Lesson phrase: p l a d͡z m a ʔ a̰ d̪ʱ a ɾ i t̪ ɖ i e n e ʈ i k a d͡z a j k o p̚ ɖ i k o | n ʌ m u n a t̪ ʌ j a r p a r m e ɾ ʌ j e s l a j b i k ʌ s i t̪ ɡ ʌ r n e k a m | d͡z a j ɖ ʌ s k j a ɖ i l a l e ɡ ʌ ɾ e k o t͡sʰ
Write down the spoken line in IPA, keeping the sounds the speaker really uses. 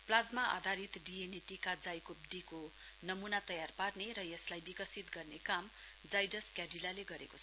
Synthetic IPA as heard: p l a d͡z m a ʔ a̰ d̪ʱ a ɾ i t̪ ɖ i e n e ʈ i k a d͡z a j k o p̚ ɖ i k o | n ʌ m u n a t̪ ʌ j a r p a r n e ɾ ʌ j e s l a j b i k ʌ s i t̪ ɡ ʌ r n e k a m | d͡z a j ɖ ʌ s k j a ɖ i l a l e ɡ ʌ ɾ e k o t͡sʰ

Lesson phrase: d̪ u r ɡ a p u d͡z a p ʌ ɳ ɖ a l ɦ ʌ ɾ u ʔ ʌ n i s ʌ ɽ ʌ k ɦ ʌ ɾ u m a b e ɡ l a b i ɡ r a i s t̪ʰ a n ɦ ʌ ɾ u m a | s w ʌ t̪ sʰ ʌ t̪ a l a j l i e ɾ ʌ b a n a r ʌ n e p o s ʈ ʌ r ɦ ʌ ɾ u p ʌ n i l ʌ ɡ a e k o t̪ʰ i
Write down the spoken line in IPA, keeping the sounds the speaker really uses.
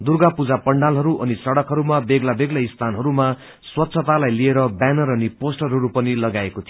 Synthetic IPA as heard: d̪ u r ɡ a p u d͡z a p ʌ ɳ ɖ a l ɦ ʌ ɾ u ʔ ʌ n i s ʌ ɽ ʌ k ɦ ʌ ɾ u m a b e ɡ l a b e ɡ l a i s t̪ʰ a n ɦ ʌ ɾ u m a | s w ʌ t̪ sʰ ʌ t̪ a l a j l i e ɾ ʌ b a n ʌ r ʌ n i p o s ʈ ʌ r ɦ ʌ ɾ u p ʌ n i l ʌ ɡ a e k o t̪ʰ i

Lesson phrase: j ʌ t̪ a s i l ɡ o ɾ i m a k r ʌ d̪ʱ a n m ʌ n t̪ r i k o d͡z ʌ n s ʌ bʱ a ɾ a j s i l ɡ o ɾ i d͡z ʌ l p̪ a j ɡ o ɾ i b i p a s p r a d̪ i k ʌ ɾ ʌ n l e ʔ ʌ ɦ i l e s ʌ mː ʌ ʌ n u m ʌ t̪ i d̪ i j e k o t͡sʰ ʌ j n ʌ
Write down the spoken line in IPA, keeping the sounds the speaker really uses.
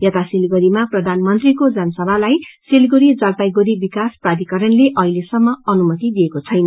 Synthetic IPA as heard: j ʌ t̪ a s i l ɡ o ɾ i m a p r ʌ d̪ʱ a n m ʌ n t̪ r i k o d͡z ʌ n s ʌ bʱ a l a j s i l ɡ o ɾ i d͡z ʌ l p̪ a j ɡ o ɾ i b i k a s p r a d̪ i k ʌ ɾ ʌ n l e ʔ ʌ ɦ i l e s ʌ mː ʌ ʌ n u m ʌ t̪ i d̪ i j e k o t͡sʰ ʌ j n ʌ

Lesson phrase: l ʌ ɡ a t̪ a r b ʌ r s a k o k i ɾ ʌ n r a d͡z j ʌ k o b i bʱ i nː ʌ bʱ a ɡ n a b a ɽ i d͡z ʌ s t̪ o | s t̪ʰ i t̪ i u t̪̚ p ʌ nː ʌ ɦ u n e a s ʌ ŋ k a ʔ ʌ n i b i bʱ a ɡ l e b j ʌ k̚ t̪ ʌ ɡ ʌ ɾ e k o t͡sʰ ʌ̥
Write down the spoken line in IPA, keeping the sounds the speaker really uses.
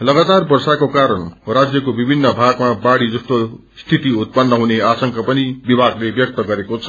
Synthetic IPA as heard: l ʌ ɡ a t̪ a r b ʌ r s a k o k a ɾ ʌ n r a d͡z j ʌ k o b i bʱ i nː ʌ bʱ a ɡ m a b a ɽ i d͡z ʌ s t̪ o | s t̪ʰ i t̪ i u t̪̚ p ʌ nː ʌ ɦ u n e a s ʌ ŋ k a p ʌ n i b i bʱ a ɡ l e b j ʌ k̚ t̪ ʌ ɡ ʌ ɾ e k o t͡sʰ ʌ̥

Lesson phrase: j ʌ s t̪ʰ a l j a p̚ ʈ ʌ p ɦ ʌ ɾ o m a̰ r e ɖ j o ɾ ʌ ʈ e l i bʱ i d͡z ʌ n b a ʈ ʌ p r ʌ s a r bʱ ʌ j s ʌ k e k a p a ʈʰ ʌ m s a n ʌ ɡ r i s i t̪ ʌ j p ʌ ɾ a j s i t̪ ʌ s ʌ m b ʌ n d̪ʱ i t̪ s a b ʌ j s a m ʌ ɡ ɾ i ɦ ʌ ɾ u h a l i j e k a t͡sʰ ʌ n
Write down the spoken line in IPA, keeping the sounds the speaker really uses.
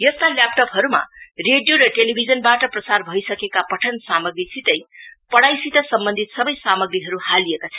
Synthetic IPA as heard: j ʌ s t̪ a l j a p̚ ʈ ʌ p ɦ ʌ ɾ u m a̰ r e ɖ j o ɾ ʌ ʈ e l i bʱ i d͡z ʌ n b a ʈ ʌ p r ʌ s a r bʱ ʌ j s ʌ k e k a p ʌ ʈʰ ʌ n s a m ʌ ɡ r i s i t̪ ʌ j p ʌ ɽ a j s i t̪ ʌ s ʌ m b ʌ n d̪ʱ i t̪ s ʌ b ʌ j s a m ʌ ɡ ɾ i ɦ ʌ ɾ u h a l i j e k a t͡sʰ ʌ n

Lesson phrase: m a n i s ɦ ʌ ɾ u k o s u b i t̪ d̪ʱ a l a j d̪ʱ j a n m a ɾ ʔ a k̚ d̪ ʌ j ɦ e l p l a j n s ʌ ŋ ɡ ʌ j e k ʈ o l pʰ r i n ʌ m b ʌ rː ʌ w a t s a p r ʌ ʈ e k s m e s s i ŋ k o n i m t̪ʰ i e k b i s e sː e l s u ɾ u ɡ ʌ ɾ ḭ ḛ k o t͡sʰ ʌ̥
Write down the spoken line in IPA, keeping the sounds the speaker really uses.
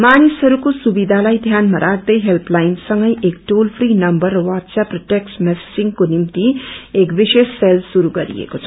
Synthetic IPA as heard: m a n i s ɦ ʌ ɾ u k o s u b i d̪ʱ a l a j d̪ʱ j a n m a ɾ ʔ a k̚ d̪ ʌ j ɦ e l p l a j n s ʌ ŋ ɡ ʌ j e k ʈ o l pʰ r i n ʌ m b ʌ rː ʌ w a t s a p r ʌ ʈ e k s m e s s i ŋ k o n i m t̪ i e k b i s e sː e l s u ɾ u ɡ ʌ ɾ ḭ ḛ k o t͡sʰ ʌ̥

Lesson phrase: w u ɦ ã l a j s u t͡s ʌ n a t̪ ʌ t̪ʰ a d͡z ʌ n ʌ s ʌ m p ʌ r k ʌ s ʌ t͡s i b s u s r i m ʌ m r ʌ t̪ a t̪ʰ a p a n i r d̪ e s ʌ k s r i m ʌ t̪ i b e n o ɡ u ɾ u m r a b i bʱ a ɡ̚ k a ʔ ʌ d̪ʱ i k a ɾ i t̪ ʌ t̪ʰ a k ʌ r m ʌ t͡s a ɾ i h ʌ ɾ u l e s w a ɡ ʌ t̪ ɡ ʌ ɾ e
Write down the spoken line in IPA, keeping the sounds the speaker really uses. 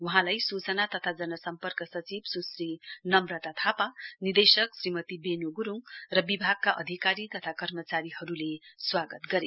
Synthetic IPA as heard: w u ɦ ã l a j s u t͡s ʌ n a t̪ ʌ t̪ʰ a d͡z ʌ n ʌ s ʌ m p ʌ r k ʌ s ʌ t͡s i b s u s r i n ʌ m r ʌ t̪ a t̪ʰ a p a n i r d̪ e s ʌ k s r i m ʌ t̪ i b e n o ɡ u ɾ u ŋ r ʌ b i bʱ a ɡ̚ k a ʔ ʌ d̪ʱ i k a ɾ i t̪ ʌ t̪ʰ a k ʌ r m ʌ t͡s a ɾ i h ʌ ɾ u l e s w a ɡ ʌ t̪ ɡ ʌ ɾ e

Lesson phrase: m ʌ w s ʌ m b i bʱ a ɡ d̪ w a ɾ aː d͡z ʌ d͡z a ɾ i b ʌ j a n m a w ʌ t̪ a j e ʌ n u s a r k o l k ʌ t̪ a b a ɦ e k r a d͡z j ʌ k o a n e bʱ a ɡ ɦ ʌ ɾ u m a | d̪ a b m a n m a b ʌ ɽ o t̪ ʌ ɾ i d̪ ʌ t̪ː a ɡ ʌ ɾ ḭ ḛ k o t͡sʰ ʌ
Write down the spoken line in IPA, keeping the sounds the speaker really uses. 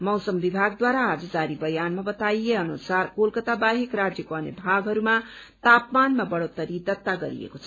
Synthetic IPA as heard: m ʌ w s ʌ m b i bʱ a ɡ d̪ w a ɾ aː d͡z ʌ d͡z a ɾ i b ʌ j a n m a b ʌ t̪ a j e ʌ n u s a r k o l k ʌ t̪ a b a ɦ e k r a d͡z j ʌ k o ʌ n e bʱ a ɡ ɦ ʌ ɾ u m a | t̪ a p m a n m a b ʌ ɽ o t̪ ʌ ɾ i d̪ ʌ t̪ː a ɡ ʌ ɾ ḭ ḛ k o t͡sʰ ʌ

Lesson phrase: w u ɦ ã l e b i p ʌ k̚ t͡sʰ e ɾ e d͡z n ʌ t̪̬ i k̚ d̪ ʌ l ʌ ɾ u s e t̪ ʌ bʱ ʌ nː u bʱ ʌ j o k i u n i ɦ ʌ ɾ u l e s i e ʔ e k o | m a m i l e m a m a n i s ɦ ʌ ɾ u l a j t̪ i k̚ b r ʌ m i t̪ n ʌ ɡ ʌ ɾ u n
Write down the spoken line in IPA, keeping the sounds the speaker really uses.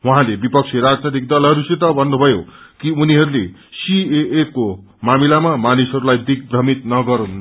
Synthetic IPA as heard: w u ɦ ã l e b i p ʌ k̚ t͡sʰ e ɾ a d͡z n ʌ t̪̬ i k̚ d̪ ʌ l ʌ ɾ u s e t̪ ʌ bʱ ʌ nː u bʱ ʌ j o k i u n i ɦ ʌ ɾ u l e s i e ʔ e k o | m a m i l a m a m a n i s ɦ ʌ ɾ u l a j d̪ i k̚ b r ʌ m i t̪ n ʌ ɡ ʌ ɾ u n

